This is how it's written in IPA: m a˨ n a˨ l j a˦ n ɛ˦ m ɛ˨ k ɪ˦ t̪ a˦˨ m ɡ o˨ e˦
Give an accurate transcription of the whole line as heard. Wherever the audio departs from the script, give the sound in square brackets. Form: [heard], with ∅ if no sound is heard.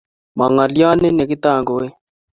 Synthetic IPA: m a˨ [ŋ] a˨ l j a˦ n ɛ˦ [n] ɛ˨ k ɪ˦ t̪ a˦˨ [ŋ] ɡ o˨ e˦